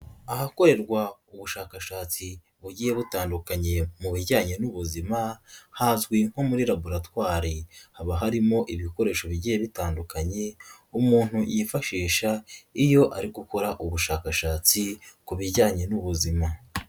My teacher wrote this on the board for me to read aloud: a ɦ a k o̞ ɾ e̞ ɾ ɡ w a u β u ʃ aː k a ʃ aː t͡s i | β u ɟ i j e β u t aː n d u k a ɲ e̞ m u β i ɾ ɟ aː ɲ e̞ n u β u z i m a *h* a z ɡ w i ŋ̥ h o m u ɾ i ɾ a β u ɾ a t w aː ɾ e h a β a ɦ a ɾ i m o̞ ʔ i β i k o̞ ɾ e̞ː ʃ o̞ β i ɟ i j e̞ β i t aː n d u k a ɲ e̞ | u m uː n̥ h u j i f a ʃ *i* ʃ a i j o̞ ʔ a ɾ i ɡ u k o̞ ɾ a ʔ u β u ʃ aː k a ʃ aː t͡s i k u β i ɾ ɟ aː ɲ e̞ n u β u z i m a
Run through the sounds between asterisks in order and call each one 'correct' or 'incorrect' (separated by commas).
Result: correct, incorrect